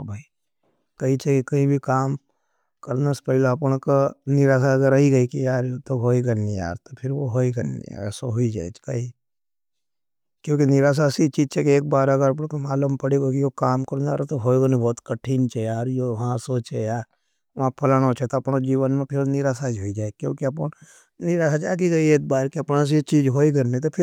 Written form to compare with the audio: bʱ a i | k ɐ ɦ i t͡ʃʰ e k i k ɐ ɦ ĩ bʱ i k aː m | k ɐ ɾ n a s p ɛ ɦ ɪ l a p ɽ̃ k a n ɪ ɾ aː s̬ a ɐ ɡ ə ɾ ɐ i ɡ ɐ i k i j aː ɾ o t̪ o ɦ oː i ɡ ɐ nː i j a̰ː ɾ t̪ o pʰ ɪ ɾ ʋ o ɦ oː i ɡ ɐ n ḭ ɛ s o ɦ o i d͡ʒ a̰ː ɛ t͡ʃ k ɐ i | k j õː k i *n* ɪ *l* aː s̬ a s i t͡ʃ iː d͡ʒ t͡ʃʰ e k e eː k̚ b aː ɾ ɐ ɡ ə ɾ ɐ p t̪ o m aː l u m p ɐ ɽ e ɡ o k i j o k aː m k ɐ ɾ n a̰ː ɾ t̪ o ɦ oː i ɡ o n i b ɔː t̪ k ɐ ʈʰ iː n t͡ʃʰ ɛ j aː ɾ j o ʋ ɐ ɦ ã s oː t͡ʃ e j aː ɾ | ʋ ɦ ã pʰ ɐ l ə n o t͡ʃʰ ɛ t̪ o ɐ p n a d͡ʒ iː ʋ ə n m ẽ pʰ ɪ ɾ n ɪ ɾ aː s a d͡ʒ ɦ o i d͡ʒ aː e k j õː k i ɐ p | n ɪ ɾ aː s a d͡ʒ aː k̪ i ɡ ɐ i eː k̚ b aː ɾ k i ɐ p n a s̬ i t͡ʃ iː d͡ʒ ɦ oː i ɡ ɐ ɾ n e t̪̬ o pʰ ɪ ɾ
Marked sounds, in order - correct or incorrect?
correct, incorrect: ɾ

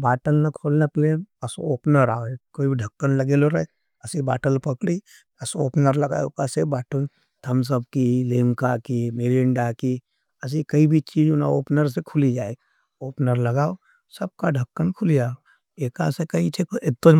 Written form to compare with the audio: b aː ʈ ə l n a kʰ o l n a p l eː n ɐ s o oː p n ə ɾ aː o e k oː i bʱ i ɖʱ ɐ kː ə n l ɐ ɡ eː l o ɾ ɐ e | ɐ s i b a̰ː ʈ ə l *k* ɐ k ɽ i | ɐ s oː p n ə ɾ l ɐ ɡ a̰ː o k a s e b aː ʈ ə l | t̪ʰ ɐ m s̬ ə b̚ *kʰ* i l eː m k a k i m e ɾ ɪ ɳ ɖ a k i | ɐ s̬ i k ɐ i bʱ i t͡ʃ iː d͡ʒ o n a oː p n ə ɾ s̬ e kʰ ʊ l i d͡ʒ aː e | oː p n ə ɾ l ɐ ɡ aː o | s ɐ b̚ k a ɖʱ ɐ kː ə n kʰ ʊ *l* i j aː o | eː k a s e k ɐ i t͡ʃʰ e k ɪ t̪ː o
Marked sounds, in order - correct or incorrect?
incorrect: p, incorrect: k, correct

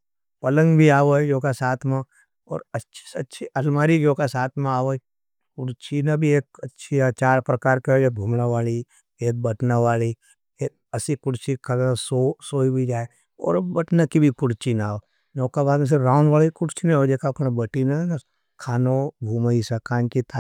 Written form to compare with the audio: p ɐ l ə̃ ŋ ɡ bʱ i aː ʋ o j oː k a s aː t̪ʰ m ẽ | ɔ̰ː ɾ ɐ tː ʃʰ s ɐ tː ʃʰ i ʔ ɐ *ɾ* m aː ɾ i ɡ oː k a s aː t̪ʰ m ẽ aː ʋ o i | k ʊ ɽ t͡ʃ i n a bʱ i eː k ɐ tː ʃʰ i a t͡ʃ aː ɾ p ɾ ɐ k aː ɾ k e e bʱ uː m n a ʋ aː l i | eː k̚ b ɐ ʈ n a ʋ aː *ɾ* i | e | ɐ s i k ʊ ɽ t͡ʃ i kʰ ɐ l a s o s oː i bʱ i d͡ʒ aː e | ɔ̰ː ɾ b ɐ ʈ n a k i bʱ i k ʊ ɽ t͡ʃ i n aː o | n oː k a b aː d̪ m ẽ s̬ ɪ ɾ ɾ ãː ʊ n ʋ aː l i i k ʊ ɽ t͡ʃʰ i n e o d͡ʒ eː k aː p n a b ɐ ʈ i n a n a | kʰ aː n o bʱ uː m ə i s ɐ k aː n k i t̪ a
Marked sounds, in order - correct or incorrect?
incorrect: l, incorrect: l

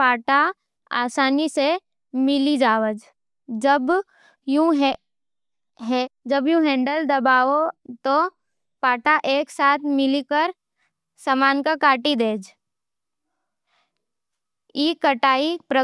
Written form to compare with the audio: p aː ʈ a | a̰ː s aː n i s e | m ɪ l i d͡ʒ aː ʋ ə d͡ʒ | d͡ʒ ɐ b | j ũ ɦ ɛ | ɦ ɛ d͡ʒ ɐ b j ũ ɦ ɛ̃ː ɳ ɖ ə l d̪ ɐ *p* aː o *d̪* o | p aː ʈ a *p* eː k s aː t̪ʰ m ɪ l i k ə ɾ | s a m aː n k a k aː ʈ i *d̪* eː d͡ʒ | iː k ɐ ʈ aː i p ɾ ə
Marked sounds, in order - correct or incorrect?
incorrect: b, incorrect: t̪, incorrect: ʔ, correct

